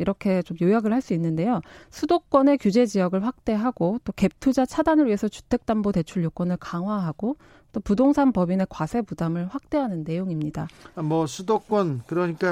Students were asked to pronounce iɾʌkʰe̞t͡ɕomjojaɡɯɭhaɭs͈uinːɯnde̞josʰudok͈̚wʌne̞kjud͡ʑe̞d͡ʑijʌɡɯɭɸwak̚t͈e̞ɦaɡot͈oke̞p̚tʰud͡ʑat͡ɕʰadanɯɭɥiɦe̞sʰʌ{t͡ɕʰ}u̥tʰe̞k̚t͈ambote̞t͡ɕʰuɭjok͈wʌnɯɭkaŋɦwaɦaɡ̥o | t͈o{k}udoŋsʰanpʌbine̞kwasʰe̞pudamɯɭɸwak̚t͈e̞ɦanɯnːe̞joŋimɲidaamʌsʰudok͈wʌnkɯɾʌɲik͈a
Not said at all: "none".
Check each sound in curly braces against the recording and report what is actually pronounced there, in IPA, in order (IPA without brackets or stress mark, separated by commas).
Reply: t͡ɕ, p